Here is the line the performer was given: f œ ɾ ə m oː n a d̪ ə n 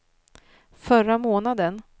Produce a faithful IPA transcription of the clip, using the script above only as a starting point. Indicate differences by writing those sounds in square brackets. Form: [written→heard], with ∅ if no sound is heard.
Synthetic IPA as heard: f œ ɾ [ə→a] m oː n a d̪ ə n